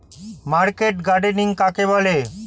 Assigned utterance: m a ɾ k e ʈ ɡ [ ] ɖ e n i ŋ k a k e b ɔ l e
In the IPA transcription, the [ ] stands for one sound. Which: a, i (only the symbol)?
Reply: a